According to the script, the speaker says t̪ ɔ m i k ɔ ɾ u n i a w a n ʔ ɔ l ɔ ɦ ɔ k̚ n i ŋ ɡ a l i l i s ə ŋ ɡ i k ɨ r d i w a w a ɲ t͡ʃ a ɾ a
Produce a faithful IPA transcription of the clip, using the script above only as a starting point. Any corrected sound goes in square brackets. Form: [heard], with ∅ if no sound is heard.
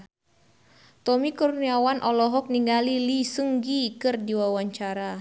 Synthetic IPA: t̪ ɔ m i k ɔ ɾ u n i a w a n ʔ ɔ l ɔ ɦ ɔ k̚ n i ŋ ɡ a l i l i s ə ŋ ɡ i k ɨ r d i w a w a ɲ t͡ʃ a ɾ a

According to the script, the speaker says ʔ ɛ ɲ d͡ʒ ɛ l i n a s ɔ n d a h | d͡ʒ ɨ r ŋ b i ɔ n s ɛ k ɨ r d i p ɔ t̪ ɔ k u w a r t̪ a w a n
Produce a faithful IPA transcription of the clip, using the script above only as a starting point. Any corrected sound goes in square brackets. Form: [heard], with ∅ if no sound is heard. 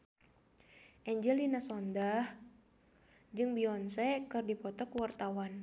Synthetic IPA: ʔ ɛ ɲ d͡ʒ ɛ l i n a s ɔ n d a h | d͡ʒ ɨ [∅] ŋ b i ɔ n s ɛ k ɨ r d i p ɔ t̪ ɔ k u w a r t̪ a w a n

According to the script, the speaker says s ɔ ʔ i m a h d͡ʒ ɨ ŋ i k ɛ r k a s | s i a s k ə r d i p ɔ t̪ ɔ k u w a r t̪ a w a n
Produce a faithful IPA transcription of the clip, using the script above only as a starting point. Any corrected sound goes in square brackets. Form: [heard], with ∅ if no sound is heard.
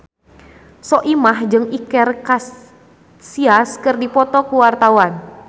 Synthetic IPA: s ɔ ʔ i m a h d͡ʒ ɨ ŋ i k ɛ r k a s | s i a s k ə r d i p ɔ t̪ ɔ k u w a r t̪ a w a n

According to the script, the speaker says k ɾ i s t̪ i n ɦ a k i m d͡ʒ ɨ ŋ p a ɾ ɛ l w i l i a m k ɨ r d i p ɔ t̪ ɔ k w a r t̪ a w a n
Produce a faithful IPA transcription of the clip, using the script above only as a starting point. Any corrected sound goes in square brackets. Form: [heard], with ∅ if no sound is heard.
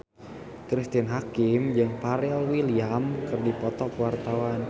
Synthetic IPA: k ɾ i s t̪ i n ɦ a k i m d͡ʒ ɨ ŋ p a ɾ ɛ l w i l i a m k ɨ r d i p ɔ t̪ ɔ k w a r t̪ a w a n

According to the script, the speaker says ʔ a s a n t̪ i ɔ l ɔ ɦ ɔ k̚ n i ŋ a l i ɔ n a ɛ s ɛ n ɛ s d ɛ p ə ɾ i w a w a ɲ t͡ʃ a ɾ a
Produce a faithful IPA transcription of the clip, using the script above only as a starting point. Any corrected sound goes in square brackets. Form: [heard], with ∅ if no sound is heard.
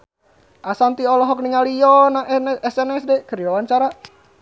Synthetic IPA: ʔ a s a n t̪ i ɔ l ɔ ɦ ɔ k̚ n i ŋ a l i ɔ n a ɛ s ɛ n ɛ s d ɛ [k] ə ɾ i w a w a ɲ t͡ʃ a ɾ a

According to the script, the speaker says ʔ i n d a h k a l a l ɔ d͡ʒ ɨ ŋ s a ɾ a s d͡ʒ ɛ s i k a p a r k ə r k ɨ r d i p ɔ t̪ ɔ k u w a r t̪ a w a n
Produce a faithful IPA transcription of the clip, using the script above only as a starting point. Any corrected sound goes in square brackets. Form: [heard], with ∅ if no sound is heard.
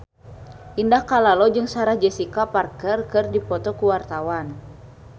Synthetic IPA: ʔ i n d a h k a l a l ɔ d͡ʒ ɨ ŋ s a ɾ a [h] d͡ʒ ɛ s i k a p a r k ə r k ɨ r d i p ɔ t̪ ɔ k u w a r t̪ a w a n

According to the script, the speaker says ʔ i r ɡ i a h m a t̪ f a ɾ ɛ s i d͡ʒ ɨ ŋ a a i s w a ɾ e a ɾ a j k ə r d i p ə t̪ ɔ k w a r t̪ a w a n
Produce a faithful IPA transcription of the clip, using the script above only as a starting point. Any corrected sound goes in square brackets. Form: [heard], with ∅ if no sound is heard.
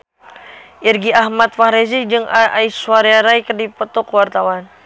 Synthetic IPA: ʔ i r ɡ i a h m a t̪ f a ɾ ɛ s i d͡ʒ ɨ ŋ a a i s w a ɾ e a ɾ a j k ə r d i p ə t̪ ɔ k w a r t̪ a w a n

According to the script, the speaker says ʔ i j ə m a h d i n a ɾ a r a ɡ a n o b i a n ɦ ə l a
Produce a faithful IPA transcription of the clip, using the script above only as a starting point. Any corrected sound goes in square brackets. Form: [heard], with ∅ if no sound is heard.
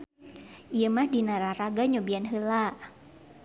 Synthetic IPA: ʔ i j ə m a h d i n a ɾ a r a ɡ a [ɲ] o b i a n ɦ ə l a

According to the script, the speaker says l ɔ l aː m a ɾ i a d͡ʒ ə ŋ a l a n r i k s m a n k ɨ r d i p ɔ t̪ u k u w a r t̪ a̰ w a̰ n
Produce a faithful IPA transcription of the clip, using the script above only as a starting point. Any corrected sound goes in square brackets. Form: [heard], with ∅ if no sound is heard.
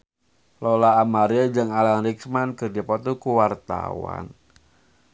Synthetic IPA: l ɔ l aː m a ɾ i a d͡ʒ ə ŋ a l a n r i k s m a n k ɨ r d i p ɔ t̪ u k u w a r t̪ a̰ w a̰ n

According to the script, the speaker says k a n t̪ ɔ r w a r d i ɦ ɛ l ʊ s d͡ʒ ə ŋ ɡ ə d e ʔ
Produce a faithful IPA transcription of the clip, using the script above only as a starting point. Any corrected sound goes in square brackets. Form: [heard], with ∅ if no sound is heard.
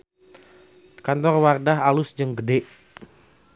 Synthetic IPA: k a n t̪ ɔ r w a r d [a] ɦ [a] l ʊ s d͡ʒ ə ŋ ɡ ə d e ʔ

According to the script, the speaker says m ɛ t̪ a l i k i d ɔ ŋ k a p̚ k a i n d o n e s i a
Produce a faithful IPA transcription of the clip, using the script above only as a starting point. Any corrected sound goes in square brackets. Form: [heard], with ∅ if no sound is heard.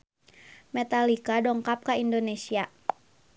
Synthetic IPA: m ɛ t̪ a l i k [a] d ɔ ŋ k a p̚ k a i n d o n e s i a

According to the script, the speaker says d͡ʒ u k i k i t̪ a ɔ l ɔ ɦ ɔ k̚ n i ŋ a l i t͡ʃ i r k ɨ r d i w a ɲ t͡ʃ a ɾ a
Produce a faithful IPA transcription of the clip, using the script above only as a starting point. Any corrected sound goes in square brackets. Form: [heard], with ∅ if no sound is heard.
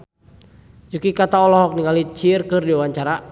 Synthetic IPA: d͡ʒ u k i k [a] t̪ a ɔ l ɔ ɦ ɔ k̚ n i ŋ a l i t͡ʃ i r k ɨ r d i w a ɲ t͡ʃ a ɾ a

